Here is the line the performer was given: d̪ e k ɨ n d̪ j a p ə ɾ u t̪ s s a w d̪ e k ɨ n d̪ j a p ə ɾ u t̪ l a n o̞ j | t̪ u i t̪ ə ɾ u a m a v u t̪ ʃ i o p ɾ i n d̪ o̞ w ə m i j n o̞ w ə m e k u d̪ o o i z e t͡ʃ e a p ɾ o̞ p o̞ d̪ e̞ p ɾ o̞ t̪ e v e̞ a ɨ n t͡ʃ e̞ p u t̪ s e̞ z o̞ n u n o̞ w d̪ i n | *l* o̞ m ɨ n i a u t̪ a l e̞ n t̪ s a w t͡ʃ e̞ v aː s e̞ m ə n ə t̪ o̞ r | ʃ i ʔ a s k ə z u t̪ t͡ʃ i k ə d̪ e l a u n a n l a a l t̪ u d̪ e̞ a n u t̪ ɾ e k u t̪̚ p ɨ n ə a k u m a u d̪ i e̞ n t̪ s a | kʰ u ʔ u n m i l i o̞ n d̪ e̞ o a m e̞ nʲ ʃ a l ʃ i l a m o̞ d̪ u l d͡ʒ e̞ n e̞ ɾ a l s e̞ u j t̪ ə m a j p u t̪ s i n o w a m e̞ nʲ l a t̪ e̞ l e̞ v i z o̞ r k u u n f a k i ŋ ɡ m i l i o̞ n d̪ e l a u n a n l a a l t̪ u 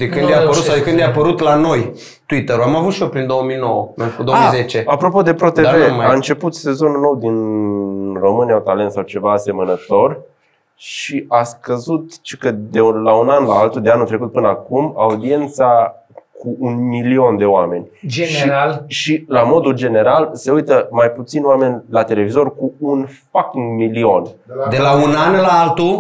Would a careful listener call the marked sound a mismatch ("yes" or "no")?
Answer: yes